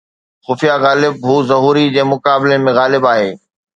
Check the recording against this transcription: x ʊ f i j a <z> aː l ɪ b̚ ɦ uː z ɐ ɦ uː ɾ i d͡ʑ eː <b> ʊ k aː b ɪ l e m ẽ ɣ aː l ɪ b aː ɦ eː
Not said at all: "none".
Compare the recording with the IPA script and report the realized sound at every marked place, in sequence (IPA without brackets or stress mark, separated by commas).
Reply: ɣ, m